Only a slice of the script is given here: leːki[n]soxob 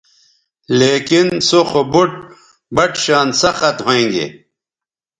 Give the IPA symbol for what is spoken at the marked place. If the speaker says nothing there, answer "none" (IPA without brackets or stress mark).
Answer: n